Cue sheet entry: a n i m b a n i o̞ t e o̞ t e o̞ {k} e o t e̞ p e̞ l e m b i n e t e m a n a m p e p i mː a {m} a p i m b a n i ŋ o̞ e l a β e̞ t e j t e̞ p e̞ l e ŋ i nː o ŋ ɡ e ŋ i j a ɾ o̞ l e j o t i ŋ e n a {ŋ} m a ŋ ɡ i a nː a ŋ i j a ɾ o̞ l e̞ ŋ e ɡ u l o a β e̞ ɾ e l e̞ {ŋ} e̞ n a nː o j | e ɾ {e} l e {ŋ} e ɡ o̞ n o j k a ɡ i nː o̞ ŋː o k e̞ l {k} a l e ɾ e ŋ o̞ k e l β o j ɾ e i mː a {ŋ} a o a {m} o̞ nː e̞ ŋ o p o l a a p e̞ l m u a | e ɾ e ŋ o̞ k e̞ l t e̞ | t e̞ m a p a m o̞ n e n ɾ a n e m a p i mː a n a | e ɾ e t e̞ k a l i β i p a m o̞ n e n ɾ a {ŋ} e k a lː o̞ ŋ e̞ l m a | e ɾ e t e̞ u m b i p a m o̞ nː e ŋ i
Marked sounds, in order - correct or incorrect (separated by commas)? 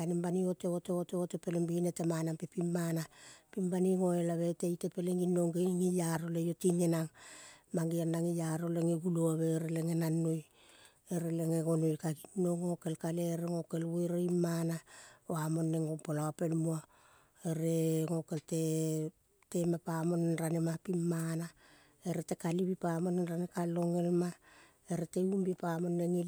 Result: incorrect, incorrect, correct, correct, correct, correct, correct, incorrect, correct, incorrect